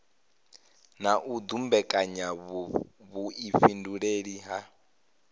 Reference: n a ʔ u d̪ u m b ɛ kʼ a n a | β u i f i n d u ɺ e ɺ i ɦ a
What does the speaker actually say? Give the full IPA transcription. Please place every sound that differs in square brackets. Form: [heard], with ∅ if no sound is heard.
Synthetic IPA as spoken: n a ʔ u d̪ u m b ɛ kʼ a [ɲ] a | β u i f i n d u ɺ e ɺ i ɦ a